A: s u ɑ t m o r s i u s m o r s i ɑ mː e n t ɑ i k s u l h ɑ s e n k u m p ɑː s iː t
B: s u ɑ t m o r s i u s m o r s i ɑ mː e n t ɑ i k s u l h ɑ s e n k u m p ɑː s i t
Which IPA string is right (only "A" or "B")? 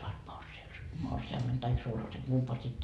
B